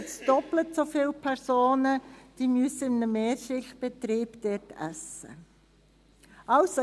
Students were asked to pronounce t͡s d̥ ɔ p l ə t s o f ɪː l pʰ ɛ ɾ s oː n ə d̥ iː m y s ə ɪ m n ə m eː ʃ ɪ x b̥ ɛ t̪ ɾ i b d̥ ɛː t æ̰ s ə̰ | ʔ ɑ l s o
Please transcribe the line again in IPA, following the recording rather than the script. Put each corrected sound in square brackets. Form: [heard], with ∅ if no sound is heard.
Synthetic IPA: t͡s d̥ ɔ p l ə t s o f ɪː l pʰ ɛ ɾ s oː n ə d̥ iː m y s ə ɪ m n ə m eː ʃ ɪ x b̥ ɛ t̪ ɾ [iː] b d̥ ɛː t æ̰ s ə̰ | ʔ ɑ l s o